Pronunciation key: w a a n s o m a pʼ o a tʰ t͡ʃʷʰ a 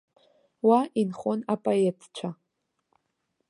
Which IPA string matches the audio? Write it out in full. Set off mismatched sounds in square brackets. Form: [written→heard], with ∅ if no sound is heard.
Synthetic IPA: w a [a→i] n [s→χ] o [m→n] a pʼ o [a→e] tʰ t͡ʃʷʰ a